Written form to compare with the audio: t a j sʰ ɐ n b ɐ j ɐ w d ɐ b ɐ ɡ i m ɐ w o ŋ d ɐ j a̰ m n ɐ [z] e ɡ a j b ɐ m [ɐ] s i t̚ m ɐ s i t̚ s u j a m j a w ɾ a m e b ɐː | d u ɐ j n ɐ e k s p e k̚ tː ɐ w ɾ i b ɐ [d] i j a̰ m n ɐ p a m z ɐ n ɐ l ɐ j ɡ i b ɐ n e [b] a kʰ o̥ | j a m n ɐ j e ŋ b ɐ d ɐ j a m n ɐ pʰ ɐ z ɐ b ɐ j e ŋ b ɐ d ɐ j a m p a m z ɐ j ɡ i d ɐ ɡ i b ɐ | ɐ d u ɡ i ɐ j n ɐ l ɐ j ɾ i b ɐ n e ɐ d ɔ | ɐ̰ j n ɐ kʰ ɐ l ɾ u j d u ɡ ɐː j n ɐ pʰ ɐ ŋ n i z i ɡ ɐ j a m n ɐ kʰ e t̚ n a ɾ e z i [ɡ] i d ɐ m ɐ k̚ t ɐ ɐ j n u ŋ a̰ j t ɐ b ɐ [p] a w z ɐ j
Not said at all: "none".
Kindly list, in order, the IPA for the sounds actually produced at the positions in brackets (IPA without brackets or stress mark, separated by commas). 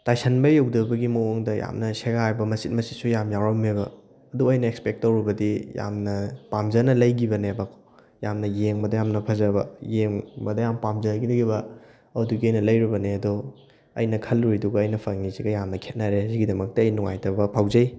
s, ɐ, d, b, ɡ, pʰ